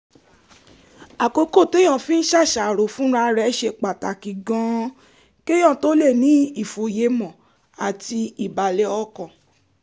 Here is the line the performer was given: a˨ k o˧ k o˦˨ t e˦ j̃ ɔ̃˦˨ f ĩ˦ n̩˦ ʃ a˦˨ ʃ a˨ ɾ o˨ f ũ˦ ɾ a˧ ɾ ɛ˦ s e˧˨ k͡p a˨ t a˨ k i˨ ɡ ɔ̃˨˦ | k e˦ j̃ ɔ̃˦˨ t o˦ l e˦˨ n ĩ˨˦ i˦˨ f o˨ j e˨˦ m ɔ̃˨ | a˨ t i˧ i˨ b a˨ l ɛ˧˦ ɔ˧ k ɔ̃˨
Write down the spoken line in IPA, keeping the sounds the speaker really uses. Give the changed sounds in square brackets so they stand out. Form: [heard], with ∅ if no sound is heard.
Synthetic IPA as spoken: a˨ k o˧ k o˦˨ t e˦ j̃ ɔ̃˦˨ f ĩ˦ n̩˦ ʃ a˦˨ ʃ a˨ ɾ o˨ f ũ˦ ɾ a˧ ɾ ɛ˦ [ʃ] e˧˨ k͡p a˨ t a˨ k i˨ ɡ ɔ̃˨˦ | k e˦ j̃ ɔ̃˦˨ t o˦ l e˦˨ n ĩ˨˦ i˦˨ f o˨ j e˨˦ m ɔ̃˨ | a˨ t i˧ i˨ b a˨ l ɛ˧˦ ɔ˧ k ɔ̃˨

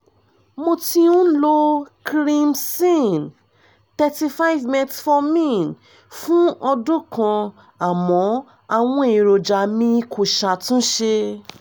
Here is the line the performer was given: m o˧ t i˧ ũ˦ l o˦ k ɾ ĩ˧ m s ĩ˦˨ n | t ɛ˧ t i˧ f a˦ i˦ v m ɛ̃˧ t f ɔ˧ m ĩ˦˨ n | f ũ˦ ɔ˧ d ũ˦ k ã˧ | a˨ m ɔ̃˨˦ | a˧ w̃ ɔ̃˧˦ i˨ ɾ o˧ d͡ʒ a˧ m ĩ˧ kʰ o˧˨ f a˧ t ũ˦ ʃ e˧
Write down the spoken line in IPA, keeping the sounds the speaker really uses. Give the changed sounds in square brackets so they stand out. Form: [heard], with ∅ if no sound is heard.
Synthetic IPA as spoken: m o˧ t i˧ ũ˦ l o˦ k ɾ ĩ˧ m s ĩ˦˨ n | t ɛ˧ t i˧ f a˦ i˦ v m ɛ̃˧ t f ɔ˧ m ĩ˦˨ n | f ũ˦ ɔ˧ d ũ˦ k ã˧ | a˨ m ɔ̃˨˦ | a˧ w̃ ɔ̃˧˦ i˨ ɾ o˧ d͡ʒ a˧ m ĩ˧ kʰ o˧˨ [ʃ] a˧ t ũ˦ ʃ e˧

